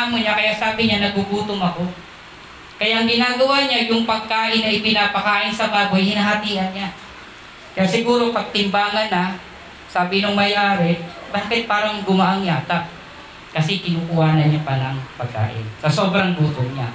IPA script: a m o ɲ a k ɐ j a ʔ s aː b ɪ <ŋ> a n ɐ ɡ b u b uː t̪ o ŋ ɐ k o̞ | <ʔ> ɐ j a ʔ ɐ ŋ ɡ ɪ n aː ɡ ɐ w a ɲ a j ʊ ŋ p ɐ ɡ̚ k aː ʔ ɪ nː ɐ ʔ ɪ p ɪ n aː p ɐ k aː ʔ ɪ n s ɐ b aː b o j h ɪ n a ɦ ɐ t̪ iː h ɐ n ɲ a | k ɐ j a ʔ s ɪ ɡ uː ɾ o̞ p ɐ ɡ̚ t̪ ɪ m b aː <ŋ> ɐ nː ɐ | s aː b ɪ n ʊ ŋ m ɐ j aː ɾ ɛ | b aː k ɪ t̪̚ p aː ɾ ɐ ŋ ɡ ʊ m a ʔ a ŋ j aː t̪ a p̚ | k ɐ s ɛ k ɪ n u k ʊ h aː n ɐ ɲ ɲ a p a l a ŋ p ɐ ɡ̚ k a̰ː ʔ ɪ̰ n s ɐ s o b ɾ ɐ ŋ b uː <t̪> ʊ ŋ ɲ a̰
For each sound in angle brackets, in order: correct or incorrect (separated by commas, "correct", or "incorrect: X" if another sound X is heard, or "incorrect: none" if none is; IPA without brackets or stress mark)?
incorrect: ɲ, incorrect: k, correct, correct